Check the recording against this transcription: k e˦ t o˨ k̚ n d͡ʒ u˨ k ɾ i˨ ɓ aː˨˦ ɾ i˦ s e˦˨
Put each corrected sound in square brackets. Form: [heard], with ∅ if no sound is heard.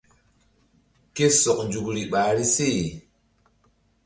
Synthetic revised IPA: k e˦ [s] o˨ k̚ n d͡ʒ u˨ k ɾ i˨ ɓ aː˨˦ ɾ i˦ s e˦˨